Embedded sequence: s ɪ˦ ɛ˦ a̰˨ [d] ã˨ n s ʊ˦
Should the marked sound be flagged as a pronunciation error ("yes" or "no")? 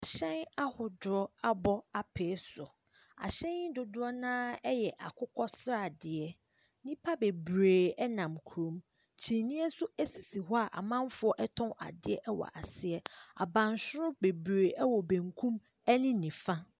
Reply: yes